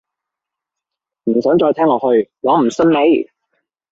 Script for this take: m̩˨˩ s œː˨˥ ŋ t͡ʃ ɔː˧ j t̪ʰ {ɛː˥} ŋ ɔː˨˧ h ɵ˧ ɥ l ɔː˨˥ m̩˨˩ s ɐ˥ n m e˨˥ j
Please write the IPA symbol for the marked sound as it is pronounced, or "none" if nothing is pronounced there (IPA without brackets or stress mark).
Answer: ɛː˥